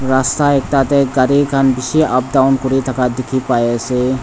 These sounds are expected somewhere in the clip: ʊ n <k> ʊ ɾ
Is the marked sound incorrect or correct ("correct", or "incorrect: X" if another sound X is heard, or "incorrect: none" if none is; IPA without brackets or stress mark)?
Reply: correct